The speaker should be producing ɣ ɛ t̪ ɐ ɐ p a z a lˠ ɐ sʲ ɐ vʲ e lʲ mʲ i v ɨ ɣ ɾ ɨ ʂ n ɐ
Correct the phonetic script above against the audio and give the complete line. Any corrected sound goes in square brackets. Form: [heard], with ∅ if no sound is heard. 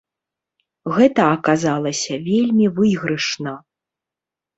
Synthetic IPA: ɣ ɛ t̪ ɐ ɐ [k] a z a lˠ ɐ sʲ ɐ vʲ e lʲ mʲ i v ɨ ɣ ɾ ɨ ʂ n ɐ